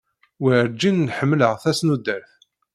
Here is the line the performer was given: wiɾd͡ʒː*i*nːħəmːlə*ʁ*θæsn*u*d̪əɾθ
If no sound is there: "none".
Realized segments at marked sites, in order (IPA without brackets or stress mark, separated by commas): i, ʁ, u